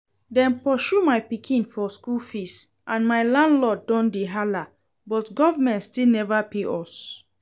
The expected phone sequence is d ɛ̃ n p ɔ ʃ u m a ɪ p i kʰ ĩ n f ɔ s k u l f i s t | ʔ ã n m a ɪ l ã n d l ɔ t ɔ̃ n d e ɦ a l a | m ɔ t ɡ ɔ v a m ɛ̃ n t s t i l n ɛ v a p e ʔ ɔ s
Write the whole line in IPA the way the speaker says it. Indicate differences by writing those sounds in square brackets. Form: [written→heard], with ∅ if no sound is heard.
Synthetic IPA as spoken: d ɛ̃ n p ɔ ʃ u m a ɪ p i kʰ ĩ n f ɔ s k u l f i s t | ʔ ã n m a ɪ l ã n d l ɔ [t→d] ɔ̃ n d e ɦ a l a | [m→b] ɔ t ɡ ɔ v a m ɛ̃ n t s t i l n ɛ v a p e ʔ ɔ s